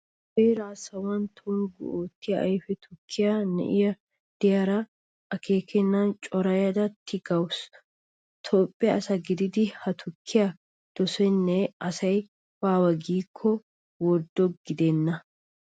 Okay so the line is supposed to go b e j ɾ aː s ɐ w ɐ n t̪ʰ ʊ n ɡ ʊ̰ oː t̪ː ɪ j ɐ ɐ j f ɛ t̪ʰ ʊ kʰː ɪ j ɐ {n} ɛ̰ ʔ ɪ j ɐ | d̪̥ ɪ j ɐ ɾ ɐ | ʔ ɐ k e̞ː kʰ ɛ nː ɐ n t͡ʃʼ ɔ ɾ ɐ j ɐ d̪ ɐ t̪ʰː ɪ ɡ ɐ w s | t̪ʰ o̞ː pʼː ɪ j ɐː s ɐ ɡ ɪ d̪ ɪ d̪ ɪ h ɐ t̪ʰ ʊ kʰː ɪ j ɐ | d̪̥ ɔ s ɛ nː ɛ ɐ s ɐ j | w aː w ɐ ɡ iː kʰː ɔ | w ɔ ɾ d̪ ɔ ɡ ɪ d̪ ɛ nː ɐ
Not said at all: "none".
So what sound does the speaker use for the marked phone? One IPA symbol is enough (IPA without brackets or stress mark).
n